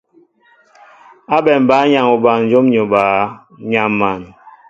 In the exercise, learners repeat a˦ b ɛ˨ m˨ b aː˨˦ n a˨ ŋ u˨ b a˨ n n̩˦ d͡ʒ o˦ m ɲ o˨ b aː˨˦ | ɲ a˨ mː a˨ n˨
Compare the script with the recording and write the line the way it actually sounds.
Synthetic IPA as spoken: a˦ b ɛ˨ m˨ b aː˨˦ ɲ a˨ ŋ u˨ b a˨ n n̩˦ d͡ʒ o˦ m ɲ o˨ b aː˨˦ | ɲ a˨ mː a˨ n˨

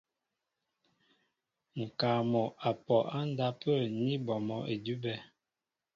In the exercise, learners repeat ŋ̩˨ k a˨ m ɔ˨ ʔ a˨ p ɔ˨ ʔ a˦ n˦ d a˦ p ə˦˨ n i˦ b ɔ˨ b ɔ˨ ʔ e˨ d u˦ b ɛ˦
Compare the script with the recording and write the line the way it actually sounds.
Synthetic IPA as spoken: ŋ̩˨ k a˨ m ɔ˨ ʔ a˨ p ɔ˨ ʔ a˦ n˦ d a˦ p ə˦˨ n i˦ b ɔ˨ m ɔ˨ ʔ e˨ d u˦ b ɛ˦

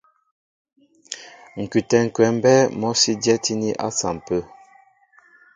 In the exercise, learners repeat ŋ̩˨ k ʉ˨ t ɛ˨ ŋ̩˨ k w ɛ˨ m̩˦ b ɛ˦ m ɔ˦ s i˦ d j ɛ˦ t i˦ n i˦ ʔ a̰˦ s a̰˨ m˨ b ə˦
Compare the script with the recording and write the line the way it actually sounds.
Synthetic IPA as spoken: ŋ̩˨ k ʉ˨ t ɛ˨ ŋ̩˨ k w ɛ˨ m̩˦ b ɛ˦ m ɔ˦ s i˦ d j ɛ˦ t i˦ n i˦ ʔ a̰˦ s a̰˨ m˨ p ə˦

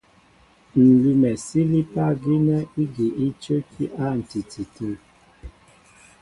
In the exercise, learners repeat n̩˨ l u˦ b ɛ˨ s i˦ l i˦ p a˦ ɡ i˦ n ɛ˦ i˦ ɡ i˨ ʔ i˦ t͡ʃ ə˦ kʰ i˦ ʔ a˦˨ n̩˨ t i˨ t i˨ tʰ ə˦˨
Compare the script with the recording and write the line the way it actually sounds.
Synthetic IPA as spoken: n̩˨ l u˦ m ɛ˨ s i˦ l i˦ p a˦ ɡ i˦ n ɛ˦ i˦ ɡ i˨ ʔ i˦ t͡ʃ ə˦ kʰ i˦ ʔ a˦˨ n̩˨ t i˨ t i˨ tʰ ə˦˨

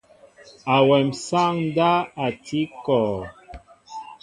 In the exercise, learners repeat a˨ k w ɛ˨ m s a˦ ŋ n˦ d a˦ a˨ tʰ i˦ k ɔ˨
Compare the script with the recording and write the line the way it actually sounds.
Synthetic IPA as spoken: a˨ w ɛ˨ m s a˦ ŋ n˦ d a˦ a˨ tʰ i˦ k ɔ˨

